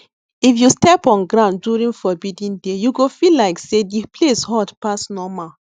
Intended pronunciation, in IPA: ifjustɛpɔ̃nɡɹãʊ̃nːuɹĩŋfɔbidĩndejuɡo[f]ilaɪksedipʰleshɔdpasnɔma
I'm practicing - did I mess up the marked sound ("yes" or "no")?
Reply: no